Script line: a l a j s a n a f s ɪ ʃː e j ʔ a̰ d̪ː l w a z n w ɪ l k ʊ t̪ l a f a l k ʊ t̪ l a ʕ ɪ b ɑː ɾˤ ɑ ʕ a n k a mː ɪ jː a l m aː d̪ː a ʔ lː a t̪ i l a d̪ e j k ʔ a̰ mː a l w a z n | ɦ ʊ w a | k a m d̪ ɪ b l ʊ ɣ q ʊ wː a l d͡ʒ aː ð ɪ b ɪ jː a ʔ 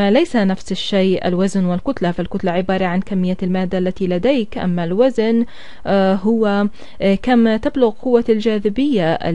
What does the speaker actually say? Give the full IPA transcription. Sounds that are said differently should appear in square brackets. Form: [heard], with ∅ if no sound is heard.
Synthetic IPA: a l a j s a n a f s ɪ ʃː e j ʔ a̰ [∅] l w a z n w ɪ l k ʊ t̪ l a f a l k ʊ t̪ l a ʕ ɪ b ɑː ɾˤ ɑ ʕ a n k a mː ɪ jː a l m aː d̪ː a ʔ lː a t̪ i l a d̪ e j k ʔ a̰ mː a l w a z n | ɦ ʊ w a | k a m [t̪] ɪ b l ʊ ɣ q ʊ wː a l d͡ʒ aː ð ɪ b ɪ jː a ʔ